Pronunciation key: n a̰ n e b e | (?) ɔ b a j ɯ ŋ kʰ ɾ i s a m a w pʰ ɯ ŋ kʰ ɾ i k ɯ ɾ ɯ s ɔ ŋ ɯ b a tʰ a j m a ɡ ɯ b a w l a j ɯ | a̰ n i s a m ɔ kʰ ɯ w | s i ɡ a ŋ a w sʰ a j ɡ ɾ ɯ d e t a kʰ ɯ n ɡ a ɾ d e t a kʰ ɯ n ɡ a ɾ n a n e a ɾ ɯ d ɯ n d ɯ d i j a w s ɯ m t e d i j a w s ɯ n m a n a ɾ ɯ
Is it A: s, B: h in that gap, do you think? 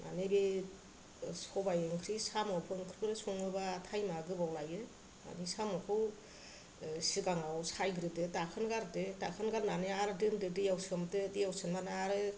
A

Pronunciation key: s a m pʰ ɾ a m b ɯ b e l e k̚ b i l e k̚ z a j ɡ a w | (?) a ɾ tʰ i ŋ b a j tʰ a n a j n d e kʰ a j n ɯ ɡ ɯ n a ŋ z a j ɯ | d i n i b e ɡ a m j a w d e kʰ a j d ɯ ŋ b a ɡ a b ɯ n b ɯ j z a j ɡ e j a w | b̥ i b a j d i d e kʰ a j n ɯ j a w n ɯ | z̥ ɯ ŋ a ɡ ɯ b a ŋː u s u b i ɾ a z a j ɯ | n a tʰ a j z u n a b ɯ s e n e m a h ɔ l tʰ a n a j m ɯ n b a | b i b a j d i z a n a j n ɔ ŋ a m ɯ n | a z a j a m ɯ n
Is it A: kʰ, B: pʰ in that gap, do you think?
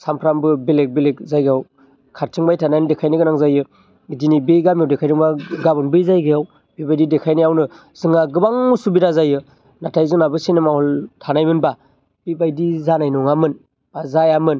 A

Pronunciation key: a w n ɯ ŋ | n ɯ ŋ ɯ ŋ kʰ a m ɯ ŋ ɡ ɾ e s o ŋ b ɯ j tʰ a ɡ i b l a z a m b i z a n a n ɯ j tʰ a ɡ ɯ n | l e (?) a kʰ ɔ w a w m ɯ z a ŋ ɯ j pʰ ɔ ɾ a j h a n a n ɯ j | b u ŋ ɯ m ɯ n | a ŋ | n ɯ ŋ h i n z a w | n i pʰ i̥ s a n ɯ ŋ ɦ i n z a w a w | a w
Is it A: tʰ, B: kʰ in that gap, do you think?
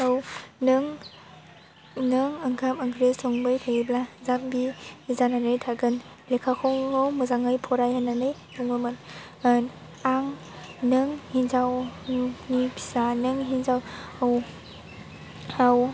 B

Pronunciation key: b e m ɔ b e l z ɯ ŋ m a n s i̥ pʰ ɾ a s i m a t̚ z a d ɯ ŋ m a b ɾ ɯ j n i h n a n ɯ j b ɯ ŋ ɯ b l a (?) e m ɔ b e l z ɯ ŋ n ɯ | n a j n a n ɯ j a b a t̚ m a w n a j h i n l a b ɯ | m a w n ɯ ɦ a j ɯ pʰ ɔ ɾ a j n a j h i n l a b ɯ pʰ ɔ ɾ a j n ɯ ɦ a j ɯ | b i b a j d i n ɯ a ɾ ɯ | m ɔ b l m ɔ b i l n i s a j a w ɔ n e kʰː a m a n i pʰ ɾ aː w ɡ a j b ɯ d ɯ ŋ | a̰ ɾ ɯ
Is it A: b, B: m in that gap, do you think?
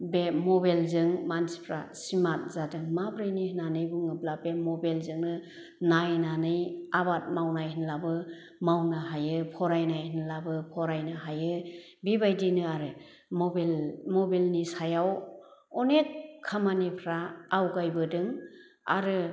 A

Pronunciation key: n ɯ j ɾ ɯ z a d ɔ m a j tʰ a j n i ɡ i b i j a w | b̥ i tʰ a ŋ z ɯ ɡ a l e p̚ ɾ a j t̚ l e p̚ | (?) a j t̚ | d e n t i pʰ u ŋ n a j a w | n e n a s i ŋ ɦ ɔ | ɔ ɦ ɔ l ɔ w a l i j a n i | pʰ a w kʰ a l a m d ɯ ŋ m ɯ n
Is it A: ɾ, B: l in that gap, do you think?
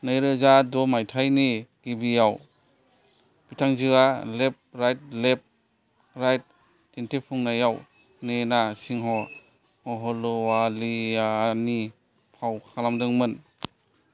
A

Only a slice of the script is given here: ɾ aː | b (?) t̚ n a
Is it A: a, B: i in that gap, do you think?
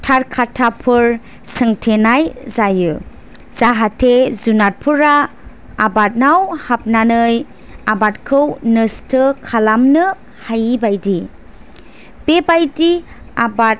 A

